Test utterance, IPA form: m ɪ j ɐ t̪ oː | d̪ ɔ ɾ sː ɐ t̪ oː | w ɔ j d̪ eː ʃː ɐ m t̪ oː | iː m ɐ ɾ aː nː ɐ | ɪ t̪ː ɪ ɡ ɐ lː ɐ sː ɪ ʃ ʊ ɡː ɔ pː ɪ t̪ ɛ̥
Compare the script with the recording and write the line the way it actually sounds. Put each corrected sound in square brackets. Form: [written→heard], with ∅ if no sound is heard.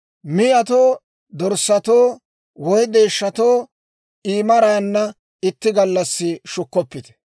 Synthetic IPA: m ɪ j ɐ t̪ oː | d̪ ɔ ɾ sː ɐ t̪ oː | w ɔ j d̪ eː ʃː ɐ [m→∅] t̪ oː | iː m ɐ ɾ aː nː ɐ | ɪ t̪ː ɪ ɡ ɐ lː ɐ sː ɪ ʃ ʊ [ɡː→kː] ɔ pː ɪ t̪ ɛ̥